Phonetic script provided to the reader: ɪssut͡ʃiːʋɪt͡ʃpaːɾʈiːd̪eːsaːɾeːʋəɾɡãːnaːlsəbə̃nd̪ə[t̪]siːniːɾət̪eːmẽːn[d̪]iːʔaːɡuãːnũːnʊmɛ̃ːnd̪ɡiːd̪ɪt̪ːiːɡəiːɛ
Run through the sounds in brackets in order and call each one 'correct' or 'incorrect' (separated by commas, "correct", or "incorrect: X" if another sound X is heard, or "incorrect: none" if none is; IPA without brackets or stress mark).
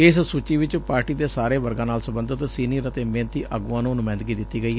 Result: correct, incorrect: t̪